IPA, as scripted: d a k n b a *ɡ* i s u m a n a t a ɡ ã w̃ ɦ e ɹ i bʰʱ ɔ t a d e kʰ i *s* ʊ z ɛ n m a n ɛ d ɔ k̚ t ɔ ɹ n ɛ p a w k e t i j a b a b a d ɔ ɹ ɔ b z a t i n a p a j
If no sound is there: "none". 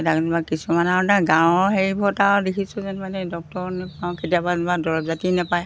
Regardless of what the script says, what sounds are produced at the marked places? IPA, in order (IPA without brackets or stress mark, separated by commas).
k, s